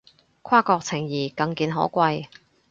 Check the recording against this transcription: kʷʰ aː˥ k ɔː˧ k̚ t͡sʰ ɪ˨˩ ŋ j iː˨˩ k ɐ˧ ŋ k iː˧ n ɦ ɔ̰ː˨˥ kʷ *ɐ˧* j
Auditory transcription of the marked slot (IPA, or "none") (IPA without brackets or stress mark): ɐ˧